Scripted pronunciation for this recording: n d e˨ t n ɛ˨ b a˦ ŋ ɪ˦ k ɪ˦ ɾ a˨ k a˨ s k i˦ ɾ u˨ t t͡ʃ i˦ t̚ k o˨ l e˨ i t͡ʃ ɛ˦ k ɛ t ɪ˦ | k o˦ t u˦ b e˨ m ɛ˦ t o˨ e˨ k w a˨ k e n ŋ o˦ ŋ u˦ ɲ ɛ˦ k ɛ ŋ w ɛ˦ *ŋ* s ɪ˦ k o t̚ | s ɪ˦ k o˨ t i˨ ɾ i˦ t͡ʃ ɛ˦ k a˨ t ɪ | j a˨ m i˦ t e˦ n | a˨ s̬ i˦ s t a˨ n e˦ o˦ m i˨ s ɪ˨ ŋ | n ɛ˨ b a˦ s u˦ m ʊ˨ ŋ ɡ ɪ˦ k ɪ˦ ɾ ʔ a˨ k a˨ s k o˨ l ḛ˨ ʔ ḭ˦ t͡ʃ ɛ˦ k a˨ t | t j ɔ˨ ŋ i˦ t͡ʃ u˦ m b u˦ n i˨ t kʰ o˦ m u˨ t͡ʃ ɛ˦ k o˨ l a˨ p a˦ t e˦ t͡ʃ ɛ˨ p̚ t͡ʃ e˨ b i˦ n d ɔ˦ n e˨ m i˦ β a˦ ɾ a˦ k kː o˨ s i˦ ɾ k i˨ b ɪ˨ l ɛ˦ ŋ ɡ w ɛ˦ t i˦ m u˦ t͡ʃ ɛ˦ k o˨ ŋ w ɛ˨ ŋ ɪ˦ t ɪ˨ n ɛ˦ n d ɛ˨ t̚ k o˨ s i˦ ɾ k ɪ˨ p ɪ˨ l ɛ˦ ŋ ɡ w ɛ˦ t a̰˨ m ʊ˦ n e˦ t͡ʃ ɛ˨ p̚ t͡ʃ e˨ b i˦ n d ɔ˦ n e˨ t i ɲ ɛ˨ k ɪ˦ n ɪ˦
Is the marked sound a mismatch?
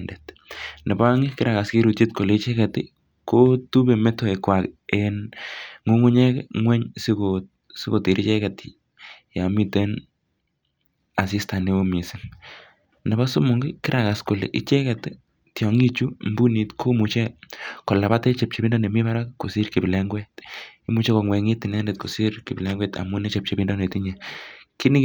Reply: yes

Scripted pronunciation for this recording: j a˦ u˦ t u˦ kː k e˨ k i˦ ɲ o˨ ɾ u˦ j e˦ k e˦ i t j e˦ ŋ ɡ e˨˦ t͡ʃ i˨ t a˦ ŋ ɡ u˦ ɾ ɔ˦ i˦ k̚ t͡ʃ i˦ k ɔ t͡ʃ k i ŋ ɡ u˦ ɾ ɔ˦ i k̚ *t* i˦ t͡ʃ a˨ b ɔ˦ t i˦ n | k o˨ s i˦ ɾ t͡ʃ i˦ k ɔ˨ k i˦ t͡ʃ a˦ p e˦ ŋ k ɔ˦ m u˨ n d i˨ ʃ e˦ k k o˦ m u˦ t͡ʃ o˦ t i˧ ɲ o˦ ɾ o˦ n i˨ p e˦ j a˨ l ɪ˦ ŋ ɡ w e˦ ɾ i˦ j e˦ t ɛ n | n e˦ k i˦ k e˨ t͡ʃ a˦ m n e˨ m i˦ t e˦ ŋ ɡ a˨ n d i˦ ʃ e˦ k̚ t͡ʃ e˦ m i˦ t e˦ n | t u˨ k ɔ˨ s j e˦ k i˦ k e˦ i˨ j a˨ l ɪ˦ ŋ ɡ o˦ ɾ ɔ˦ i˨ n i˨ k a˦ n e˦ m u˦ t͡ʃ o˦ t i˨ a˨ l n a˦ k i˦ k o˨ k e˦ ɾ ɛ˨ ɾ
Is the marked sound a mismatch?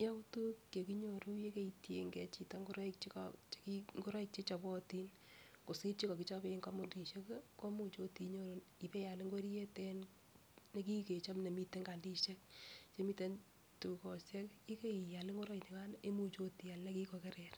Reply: yes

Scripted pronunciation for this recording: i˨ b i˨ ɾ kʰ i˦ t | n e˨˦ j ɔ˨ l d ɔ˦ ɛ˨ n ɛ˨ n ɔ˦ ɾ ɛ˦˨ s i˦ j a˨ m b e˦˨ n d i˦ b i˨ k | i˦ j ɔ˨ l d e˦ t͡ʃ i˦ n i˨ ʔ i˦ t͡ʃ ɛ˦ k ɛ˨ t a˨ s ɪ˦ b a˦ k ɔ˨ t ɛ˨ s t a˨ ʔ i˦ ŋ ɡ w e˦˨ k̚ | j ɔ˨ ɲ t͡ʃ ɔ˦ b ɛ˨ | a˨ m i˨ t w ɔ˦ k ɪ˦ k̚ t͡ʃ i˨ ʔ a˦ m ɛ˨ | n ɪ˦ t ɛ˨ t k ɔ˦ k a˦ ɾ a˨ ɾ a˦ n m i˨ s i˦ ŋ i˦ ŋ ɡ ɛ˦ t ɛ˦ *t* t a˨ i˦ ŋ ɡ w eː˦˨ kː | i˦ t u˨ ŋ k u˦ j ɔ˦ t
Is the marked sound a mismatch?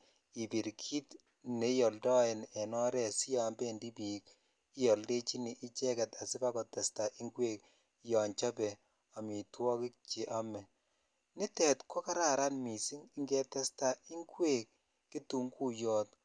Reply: yes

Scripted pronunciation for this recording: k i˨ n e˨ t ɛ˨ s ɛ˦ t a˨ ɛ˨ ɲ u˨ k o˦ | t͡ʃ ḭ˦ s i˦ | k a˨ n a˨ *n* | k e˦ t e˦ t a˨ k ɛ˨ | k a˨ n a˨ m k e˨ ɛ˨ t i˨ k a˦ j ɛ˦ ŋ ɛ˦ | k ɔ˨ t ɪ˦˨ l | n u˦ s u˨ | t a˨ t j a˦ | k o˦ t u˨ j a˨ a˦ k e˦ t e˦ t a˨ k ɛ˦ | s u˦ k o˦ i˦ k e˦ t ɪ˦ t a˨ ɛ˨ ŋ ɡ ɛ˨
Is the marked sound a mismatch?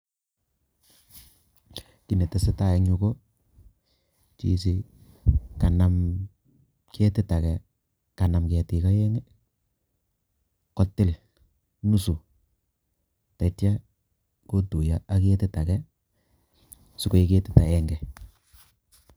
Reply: yes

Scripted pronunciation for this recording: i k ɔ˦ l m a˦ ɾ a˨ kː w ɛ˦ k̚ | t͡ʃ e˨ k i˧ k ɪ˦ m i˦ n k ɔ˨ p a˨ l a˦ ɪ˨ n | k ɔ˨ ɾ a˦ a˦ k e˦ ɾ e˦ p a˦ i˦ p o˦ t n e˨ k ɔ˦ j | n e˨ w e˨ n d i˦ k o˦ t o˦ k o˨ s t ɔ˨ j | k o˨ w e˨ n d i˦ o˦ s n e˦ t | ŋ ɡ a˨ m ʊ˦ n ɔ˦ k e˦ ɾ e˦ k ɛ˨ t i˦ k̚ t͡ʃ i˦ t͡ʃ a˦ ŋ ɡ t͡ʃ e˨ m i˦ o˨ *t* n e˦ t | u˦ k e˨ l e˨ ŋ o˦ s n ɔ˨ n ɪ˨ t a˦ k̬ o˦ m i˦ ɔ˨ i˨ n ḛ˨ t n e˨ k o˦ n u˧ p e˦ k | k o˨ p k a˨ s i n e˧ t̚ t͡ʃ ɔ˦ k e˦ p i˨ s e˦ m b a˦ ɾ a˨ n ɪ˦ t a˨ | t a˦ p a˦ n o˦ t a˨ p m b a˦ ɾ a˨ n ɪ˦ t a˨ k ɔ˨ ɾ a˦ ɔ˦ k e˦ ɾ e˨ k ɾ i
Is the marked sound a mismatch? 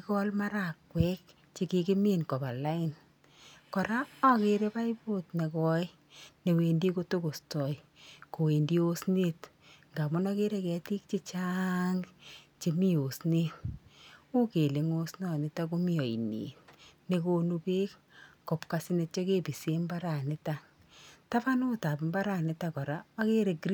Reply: yes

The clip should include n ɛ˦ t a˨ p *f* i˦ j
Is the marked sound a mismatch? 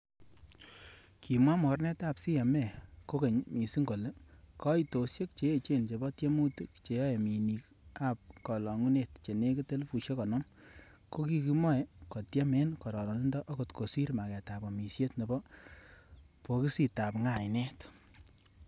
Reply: yes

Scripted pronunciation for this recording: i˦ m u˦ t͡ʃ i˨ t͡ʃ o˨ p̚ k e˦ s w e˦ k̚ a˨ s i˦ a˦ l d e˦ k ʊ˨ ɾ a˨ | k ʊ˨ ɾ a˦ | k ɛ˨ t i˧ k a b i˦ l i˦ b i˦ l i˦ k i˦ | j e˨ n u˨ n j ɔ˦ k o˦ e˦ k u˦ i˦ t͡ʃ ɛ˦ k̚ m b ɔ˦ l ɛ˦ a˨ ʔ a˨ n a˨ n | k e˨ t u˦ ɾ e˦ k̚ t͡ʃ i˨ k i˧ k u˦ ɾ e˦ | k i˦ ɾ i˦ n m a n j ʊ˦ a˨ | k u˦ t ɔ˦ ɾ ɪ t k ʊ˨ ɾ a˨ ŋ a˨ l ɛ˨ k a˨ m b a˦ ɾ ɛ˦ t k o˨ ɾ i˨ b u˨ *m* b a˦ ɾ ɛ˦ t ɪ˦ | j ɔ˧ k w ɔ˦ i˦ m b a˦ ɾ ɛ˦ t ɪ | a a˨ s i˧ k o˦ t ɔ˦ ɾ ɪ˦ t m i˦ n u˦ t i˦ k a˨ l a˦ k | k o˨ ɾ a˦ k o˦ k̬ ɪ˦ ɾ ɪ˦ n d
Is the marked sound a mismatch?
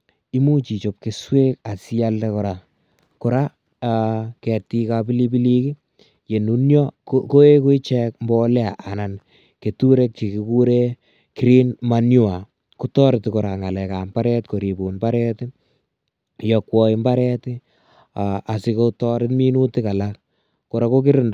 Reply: yes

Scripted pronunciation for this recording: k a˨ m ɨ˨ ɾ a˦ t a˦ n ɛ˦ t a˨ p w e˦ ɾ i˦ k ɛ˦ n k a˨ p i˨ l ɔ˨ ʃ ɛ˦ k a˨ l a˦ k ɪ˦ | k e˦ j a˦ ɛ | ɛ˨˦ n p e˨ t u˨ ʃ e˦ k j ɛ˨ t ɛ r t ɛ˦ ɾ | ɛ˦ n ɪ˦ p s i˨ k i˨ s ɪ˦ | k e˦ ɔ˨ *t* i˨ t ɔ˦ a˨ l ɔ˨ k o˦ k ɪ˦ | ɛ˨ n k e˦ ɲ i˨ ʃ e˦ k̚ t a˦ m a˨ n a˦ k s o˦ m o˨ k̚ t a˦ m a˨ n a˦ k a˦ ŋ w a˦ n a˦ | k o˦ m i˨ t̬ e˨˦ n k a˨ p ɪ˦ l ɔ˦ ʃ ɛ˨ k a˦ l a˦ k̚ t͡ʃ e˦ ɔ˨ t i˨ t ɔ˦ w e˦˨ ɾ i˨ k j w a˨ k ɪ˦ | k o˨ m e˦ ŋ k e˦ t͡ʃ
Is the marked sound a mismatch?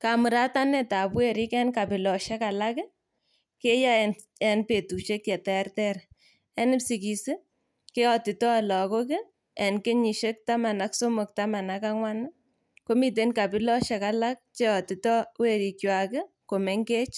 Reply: no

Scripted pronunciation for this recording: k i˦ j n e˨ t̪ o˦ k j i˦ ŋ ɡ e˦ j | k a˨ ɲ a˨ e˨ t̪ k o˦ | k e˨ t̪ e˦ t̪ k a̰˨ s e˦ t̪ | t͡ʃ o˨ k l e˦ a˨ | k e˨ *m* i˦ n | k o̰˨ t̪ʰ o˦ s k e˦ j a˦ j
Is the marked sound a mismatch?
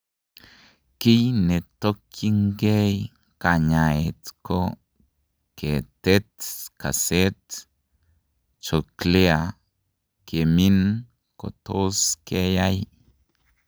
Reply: no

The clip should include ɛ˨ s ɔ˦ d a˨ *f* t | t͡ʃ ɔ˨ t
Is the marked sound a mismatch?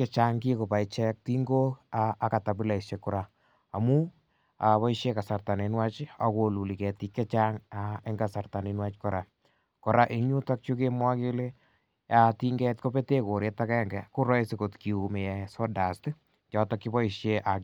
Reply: yes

